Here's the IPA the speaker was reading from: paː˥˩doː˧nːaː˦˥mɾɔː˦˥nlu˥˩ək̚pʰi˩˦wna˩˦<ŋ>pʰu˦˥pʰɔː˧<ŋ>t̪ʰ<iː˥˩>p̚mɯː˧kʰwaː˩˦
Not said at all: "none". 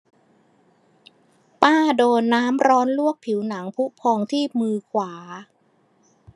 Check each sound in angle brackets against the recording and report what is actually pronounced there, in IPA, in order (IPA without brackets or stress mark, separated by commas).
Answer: ŋ, ŋ, iː˥˩